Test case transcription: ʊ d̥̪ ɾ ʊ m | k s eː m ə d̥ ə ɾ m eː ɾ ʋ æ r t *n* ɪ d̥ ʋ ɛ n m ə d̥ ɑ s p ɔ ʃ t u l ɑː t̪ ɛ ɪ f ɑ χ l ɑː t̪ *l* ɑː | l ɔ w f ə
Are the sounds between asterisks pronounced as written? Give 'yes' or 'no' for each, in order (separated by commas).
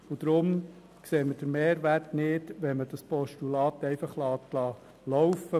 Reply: yes, yes